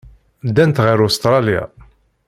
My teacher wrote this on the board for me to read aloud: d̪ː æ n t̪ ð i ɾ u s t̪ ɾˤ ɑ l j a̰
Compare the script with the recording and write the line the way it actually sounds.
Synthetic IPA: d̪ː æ n t̪ ʁ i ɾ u s t̪ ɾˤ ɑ l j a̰